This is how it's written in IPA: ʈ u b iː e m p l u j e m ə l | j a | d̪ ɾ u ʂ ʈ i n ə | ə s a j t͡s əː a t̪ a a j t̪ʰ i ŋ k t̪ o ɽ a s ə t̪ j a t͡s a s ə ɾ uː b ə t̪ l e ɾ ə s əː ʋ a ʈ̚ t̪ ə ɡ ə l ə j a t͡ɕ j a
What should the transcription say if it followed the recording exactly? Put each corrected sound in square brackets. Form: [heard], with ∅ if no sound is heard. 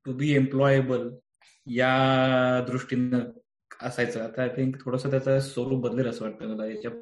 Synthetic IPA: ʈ u b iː e m p l [ɔ] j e [b] ə l | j a | d̪ ɾ u ʂ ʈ i n ə | ə s a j t͡s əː a t̪ a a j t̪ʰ i ŋ k [t̪ʰ] o ɽ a s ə t̪ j a t͡s a s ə ɾ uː b ə [d̪] l e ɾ ə s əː ʋ a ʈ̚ t̪ ə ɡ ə l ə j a t͡ɕ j a